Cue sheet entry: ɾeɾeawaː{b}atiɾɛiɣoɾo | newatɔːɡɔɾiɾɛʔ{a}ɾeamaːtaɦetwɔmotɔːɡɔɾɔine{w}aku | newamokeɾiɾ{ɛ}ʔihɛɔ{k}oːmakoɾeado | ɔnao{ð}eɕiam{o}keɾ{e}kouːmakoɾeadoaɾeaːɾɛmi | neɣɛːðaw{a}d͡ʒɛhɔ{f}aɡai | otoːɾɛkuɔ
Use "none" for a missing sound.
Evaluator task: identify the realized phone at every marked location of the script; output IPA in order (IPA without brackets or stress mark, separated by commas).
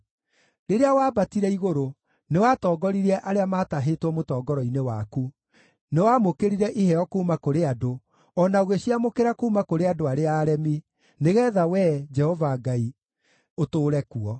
b, a, w, ɛ, k, ɣ, o, a, ɛ, v